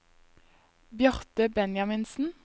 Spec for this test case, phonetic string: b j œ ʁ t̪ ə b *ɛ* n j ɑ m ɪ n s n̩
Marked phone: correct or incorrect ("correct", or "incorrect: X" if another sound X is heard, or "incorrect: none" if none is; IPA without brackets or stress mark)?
correct